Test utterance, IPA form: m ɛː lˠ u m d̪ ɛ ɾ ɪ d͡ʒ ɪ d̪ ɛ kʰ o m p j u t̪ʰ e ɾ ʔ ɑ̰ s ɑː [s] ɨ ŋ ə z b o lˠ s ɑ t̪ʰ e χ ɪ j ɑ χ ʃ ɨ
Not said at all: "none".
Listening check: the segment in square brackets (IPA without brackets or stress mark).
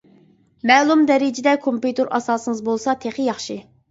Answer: s